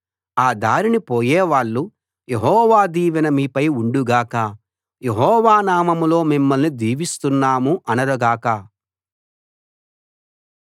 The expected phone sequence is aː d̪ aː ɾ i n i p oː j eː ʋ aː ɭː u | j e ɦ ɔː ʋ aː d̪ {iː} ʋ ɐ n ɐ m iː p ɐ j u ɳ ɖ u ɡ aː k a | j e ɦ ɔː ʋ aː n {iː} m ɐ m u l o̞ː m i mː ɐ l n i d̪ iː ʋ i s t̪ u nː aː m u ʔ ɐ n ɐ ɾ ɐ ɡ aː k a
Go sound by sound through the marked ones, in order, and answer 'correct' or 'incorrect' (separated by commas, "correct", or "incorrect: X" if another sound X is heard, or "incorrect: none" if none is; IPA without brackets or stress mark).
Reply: correct, incorrect: aː